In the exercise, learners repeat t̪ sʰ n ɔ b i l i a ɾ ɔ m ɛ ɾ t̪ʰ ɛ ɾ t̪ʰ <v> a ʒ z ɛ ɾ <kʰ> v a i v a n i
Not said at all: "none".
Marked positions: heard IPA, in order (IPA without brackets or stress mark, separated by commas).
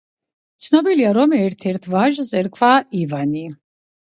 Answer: v, kʰ